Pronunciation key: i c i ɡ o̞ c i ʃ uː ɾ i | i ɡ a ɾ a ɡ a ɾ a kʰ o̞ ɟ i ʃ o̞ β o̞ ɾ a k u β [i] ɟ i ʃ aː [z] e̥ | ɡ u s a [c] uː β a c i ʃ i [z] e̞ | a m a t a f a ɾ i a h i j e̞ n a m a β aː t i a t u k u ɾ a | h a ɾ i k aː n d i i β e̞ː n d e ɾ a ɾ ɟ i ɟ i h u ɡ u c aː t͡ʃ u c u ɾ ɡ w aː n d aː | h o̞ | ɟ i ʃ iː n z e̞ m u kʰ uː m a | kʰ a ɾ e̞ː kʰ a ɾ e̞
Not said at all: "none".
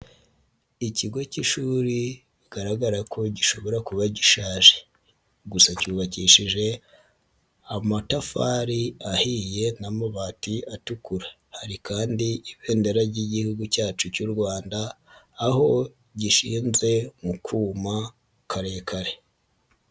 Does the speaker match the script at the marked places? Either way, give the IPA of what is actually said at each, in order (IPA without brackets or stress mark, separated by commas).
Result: a, ʒ, c, ʒ